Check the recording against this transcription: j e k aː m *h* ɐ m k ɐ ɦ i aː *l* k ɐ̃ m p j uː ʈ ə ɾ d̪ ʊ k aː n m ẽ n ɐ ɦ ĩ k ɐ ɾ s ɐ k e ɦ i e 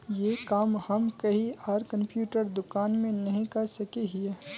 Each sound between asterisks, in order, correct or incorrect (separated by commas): correct, incorrect